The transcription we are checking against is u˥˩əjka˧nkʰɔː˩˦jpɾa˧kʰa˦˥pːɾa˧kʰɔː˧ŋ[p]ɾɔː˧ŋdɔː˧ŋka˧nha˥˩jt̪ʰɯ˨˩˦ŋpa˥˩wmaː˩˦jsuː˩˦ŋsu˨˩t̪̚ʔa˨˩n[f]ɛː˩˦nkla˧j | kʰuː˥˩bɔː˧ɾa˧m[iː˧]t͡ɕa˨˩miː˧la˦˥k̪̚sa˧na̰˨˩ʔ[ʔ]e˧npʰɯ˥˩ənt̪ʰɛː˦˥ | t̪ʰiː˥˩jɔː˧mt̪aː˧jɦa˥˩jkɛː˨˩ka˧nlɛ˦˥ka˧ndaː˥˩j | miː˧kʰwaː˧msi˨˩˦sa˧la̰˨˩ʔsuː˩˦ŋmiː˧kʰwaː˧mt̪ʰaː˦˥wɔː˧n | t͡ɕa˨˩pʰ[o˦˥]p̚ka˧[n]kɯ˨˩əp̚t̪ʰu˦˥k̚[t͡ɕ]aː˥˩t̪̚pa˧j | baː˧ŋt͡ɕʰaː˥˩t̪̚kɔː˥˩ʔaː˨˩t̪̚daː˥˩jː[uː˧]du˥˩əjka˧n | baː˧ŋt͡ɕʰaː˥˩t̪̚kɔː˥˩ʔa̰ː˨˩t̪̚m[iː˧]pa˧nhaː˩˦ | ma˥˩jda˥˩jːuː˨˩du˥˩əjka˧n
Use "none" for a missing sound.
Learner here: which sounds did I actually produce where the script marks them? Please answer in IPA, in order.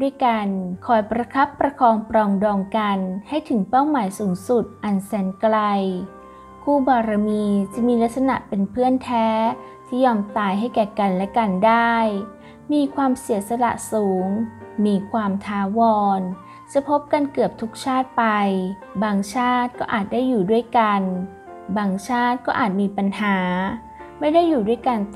p, s, iː˧, p, o˦˥, n, t͡ɕʰ, uː˨˩, iː˧

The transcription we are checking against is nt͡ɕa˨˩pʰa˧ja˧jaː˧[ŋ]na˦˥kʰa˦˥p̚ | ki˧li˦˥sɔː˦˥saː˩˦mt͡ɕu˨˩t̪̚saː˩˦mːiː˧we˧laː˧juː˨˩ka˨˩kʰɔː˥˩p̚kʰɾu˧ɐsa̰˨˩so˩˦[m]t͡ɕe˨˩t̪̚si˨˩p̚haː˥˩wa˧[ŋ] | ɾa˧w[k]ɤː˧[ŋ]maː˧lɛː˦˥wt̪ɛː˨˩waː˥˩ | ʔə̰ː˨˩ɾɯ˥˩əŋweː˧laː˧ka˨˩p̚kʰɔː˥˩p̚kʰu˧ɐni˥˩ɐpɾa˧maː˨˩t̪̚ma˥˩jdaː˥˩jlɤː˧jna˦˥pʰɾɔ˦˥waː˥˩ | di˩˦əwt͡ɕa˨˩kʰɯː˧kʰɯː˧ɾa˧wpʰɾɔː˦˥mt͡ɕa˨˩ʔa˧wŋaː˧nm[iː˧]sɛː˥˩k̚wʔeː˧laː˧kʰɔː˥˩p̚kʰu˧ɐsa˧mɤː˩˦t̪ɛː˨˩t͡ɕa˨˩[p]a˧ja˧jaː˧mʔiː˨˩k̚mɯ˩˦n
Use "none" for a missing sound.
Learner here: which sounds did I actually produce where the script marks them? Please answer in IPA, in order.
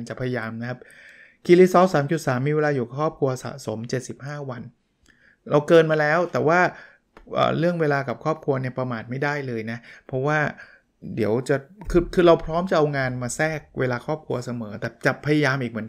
m, m, n, k, n, aː˧, pʰ

